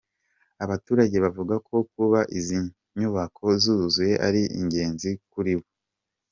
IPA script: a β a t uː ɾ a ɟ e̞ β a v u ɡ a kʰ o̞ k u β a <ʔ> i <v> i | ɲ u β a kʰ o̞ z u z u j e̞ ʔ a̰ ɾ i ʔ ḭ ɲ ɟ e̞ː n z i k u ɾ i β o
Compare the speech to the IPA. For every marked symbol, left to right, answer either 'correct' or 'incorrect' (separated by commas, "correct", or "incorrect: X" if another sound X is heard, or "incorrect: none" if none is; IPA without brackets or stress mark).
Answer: correct, incorrect: z